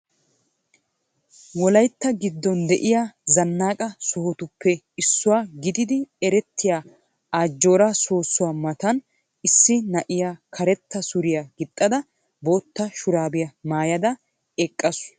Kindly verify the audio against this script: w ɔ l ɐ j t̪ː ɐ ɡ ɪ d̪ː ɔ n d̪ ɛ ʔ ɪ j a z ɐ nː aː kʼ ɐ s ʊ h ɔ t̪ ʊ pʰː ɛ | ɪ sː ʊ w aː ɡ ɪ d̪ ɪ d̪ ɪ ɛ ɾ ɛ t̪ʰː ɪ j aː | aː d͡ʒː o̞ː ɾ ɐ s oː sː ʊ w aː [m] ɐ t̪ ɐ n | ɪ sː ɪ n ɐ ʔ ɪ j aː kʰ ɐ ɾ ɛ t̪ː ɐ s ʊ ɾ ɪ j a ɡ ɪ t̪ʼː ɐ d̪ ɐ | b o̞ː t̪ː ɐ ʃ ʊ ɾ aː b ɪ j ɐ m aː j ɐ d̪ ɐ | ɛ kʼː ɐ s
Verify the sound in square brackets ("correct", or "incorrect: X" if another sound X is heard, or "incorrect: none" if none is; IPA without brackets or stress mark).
correct